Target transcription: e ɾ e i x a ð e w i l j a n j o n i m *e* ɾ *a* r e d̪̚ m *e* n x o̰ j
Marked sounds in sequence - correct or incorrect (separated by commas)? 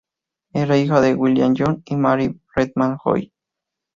incorrect, incorrect, incorrect